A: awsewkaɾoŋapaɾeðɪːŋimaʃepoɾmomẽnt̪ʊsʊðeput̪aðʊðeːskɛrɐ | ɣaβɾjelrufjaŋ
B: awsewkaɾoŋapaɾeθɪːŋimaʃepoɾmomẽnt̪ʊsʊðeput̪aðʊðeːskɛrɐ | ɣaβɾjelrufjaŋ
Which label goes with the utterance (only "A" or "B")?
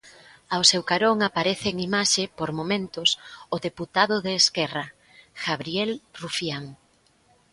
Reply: B